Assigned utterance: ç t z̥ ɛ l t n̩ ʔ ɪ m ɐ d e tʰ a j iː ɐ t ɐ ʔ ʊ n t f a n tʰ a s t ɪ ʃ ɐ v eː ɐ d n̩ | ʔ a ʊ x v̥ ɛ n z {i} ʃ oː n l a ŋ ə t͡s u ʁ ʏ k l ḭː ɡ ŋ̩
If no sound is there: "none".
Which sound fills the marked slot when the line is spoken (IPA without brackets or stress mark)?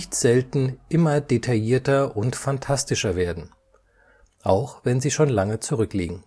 iː